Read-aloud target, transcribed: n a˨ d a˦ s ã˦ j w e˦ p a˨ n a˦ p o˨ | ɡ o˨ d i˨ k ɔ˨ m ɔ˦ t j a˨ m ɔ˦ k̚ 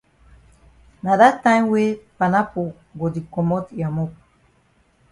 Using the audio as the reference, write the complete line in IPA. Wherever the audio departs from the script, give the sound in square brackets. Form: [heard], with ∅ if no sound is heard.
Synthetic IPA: n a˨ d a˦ [t] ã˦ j w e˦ p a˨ n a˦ p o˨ | ɡ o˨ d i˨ k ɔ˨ m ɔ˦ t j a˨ m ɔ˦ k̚